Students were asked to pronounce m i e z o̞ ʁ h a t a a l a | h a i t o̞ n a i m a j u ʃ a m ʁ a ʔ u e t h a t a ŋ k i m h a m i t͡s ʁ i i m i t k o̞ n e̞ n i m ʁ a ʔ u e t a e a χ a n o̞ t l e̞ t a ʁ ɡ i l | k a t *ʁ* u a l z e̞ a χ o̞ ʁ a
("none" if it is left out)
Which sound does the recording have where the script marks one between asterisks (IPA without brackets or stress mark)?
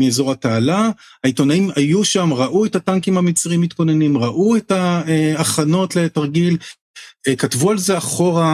v